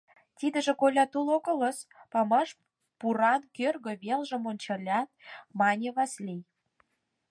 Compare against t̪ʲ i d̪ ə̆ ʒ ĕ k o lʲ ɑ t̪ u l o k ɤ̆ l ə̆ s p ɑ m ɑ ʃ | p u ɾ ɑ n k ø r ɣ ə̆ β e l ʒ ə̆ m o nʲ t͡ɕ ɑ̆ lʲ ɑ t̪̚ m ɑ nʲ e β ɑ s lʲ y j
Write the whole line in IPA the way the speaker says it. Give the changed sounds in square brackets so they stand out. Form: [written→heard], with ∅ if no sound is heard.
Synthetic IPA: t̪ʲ i d̪ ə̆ ʒ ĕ k o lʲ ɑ t̪ u l o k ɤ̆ l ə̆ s p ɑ m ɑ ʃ | p u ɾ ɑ n k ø r ɣ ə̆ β e l ʒ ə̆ m o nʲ t͡ɕ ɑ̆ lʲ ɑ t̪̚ m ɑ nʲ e β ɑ s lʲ [y→i] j